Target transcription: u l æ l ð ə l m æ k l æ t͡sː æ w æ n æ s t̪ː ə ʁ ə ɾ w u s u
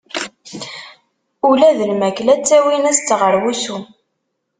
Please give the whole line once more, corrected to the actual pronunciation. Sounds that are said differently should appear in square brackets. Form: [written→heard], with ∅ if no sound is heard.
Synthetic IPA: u l æ [l→∅] ð ə l m æ k l æ t͡sː æ w [æ→i] n æ s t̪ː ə ʁ ə ɾ w u s u